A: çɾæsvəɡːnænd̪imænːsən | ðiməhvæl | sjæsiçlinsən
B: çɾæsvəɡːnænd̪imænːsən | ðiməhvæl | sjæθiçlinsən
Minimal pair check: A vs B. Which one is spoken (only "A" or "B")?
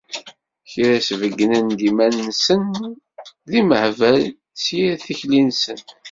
B